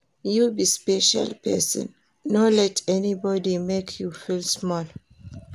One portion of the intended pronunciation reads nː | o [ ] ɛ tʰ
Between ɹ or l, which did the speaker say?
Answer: l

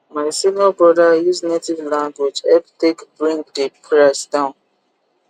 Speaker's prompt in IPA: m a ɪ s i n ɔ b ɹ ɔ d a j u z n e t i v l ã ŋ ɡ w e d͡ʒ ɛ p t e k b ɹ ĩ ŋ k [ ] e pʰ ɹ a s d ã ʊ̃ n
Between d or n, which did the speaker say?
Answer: d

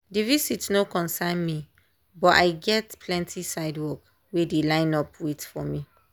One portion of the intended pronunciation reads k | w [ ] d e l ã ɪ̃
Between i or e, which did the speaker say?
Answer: e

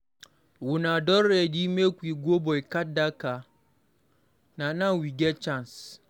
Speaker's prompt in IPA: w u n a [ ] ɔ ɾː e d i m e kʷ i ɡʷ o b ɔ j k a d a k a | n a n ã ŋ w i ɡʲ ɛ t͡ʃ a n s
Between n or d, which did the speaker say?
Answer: d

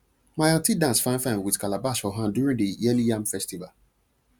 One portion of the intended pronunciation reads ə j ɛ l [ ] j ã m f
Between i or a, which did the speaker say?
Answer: i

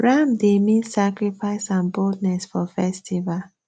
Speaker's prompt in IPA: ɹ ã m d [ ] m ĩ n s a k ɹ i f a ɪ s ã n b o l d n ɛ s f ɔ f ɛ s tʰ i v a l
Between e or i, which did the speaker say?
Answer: e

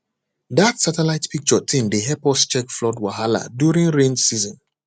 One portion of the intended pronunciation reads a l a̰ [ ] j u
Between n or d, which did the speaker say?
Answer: d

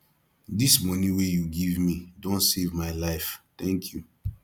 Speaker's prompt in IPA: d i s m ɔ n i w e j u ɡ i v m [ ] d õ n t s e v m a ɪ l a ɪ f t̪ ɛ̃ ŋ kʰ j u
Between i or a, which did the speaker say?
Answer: i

